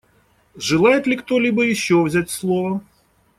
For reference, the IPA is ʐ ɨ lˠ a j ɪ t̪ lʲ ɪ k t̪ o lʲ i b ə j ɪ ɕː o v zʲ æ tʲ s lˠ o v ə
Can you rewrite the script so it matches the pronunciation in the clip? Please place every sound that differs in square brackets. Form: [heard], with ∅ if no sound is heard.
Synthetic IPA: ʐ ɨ lˠ a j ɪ t̪ lʲ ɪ k t̪ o lʲ i b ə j ɪ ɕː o v zʲ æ tʲ s lˠ o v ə